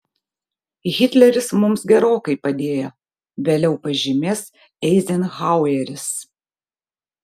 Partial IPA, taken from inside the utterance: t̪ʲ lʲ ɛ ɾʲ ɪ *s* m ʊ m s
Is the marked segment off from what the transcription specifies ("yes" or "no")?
no